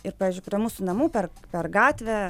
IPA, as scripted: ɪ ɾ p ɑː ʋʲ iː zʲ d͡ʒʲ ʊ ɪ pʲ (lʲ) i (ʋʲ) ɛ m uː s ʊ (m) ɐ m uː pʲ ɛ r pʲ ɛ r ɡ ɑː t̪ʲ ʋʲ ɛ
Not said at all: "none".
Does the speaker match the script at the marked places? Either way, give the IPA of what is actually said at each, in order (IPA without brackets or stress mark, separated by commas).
ɾʲ, none, n